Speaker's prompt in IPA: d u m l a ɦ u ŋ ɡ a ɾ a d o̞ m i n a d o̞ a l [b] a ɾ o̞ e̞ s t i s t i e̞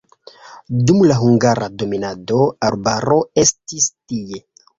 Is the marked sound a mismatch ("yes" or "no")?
no